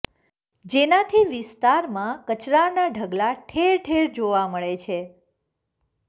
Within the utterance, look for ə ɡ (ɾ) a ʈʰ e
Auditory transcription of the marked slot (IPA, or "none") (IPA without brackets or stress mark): l